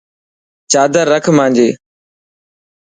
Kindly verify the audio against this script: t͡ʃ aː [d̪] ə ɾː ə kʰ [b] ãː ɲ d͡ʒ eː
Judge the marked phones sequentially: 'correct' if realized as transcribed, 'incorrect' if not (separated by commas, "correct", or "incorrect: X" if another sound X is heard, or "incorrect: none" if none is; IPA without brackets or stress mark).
correct, incorrect: m